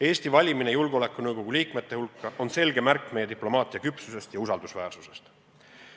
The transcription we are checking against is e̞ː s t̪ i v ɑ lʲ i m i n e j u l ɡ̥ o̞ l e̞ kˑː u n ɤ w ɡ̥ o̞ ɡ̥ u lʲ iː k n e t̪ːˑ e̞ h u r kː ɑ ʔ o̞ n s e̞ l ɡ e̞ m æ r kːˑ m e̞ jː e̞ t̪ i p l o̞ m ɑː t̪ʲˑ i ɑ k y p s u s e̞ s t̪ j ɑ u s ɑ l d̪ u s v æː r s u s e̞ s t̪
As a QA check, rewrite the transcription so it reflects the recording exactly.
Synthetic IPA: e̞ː s t̪ i v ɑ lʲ i m i n e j u l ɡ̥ o̞ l e̞ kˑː u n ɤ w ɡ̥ o̞ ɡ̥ u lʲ iː k m e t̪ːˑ e̞ h u l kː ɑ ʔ o̞ n s e̞ l ɡ e̞ m æ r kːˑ m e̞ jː e̞ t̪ i p l o̞ m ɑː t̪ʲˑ i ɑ k y p s u s e̞ s t̪ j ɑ u s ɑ l d̪ u s v æː r s u s e̞ s t̪